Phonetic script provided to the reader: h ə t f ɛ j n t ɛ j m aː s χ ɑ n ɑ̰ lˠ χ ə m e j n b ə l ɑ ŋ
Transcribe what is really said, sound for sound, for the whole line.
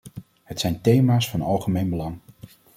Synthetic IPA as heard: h ə t s ɛ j n t e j m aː s f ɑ n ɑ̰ lˠ χ ə m e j n b ə l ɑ ŋ